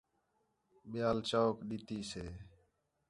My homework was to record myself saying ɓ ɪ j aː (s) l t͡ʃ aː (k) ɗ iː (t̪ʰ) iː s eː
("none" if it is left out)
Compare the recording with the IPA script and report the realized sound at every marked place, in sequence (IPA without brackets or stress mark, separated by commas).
none, k, t̪